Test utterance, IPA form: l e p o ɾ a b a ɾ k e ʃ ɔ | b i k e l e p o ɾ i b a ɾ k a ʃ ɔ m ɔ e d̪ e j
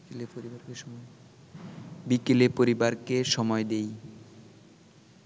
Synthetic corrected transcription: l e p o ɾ i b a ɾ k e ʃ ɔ | b i k e l e p o ɾ i b a ɾ k e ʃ ɔ m ɔ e d̪ e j